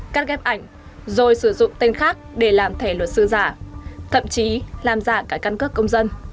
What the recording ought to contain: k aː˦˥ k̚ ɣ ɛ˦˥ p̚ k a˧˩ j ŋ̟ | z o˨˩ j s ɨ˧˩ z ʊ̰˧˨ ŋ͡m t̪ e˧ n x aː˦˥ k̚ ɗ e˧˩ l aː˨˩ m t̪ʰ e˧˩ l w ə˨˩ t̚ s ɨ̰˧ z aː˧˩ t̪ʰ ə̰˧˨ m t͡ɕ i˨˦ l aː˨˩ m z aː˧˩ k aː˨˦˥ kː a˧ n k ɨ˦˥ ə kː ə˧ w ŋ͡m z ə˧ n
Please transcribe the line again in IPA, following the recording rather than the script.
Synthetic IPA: k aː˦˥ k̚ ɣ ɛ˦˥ p̚ ʔ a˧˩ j ŋ̟ | z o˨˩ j s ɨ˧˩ z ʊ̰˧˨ ŋ͡m t̪ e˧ n x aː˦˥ k̚ ɗ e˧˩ l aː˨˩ m t̪ʰ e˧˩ l w ə˨˩ t̚ s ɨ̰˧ z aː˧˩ t̪ʰ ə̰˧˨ m t͡ɕ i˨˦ l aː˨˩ m z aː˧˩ k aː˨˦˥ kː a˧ n k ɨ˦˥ ə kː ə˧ w ŋ͡m z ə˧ n